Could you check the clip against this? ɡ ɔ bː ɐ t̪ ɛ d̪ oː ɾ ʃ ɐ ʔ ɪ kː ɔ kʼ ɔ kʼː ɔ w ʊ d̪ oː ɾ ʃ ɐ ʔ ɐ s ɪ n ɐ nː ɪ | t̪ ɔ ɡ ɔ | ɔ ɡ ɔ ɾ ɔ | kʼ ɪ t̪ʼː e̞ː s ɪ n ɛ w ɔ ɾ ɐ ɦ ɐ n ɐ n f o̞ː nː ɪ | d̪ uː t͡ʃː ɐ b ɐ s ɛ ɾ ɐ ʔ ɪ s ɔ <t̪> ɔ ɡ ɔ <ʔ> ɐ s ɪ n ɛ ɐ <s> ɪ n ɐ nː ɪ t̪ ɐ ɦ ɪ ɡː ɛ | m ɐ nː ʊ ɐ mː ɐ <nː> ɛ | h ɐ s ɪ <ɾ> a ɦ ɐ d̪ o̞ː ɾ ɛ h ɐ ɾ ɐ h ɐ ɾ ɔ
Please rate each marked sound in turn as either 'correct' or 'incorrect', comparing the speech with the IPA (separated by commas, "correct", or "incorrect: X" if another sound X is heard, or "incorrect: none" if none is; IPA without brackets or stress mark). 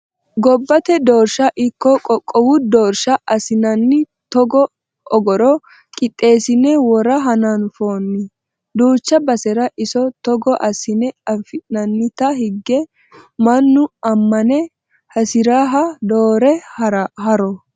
correct, correct, incorrect: f, incorrect: n, correct